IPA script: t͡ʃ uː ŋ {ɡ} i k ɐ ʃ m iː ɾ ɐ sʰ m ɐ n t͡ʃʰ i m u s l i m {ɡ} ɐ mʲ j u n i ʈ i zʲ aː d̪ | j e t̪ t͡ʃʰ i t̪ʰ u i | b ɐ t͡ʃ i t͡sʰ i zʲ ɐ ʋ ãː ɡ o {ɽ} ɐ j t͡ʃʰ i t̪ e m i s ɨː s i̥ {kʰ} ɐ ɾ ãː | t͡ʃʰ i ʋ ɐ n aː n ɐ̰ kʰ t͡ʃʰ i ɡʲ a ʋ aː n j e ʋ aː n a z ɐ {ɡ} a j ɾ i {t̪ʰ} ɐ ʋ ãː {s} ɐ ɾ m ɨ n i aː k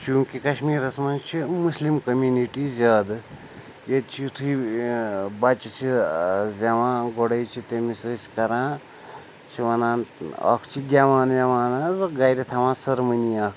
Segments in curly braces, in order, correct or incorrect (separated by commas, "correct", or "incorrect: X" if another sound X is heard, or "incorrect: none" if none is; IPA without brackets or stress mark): incorrect: k, incorrect: k, correct, incorrect: k, correct, correct, correct